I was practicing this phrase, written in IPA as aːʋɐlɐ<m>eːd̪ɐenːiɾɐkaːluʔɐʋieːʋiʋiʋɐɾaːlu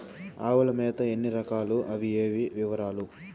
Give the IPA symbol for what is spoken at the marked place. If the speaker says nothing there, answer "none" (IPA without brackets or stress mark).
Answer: m